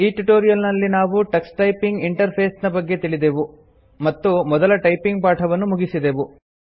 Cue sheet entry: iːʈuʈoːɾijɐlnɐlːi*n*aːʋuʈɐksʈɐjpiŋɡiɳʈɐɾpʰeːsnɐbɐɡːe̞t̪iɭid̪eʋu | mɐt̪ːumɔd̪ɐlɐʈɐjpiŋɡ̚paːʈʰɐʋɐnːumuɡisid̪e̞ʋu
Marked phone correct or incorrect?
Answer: correct